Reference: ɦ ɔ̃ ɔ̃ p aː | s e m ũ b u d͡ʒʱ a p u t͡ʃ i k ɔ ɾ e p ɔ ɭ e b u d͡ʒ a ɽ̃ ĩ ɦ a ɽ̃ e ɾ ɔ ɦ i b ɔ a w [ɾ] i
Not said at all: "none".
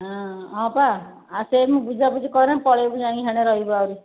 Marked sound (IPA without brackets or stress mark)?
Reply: ɾ